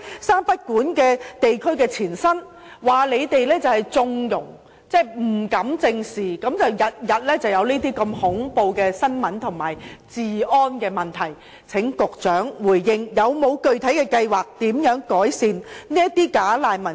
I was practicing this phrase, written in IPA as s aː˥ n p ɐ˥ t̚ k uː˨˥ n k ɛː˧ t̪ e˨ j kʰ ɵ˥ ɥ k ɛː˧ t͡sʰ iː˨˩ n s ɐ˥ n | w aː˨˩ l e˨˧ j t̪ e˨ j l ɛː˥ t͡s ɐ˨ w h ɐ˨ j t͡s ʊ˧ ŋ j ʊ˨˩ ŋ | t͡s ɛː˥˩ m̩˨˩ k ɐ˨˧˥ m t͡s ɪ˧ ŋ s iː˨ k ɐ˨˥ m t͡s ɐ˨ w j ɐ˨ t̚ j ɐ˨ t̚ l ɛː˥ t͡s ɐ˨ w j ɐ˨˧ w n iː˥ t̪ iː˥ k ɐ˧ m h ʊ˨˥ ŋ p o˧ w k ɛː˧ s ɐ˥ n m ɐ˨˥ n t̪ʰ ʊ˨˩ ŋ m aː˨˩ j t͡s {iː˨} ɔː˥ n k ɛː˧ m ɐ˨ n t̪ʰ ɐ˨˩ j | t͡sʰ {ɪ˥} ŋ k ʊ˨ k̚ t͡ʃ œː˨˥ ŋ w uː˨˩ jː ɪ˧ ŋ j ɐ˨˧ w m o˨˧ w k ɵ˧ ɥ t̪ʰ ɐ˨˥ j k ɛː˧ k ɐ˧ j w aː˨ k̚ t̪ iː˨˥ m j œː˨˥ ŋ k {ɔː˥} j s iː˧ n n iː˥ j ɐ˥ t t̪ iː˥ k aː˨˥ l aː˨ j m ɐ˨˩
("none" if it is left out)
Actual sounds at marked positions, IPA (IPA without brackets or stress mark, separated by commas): iː˨, ɪ˨˥, ɔː˨˥